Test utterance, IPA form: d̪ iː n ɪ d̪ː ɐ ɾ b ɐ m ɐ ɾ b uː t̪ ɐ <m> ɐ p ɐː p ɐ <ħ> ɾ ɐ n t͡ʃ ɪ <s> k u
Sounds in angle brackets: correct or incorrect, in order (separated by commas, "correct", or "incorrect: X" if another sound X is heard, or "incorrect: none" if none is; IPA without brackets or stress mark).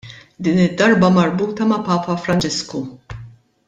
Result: correct, incorrect: f, correct